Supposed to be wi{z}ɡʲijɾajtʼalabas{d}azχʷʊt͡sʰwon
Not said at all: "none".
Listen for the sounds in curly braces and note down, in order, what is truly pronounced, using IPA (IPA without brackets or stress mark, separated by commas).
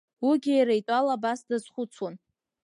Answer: none, d